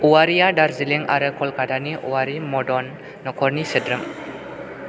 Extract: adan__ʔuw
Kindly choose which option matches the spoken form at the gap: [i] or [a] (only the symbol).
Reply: i